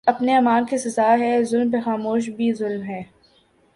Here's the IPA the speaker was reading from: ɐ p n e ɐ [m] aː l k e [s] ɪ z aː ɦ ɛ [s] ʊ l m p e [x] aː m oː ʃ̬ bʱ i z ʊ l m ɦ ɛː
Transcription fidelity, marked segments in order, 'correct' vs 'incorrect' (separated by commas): correct, correct, incorrect, correct